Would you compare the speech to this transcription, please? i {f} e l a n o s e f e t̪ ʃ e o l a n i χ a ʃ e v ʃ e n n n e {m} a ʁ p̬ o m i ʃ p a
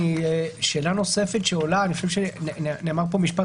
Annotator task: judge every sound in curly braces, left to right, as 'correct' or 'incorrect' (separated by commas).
incorrect, correct